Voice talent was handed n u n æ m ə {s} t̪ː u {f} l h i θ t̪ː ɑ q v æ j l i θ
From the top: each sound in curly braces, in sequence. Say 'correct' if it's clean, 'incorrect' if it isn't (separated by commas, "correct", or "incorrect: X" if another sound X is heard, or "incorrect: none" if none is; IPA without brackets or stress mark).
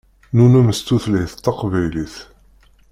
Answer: correct, incorrect: θ